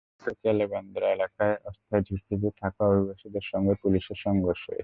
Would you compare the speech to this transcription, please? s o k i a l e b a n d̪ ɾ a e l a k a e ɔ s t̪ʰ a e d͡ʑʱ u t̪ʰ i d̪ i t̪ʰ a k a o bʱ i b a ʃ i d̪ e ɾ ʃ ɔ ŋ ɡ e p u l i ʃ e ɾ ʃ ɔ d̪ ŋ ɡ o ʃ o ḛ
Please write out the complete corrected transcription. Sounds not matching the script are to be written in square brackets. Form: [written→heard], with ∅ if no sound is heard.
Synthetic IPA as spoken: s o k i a l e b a n d̪ ɾ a e l a k a e ɔ s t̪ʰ a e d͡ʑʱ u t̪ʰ i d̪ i t̪ʰ a k a o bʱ i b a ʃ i d̪ e ɾ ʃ ɔ ŋ ɡ e p u l i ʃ e ɾ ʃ ɔ [d̪→∅] ŋ ɡ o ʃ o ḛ